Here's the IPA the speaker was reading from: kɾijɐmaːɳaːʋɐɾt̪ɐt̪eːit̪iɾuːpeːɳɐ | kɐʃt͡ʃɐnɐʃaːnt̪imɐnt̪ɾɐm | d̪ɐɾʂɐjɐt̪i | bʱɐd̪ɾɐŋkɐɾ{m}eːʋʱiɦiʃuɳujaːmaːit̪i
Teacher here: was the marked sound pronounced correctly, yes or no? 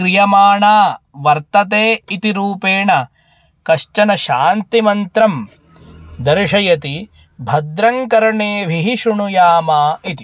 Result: no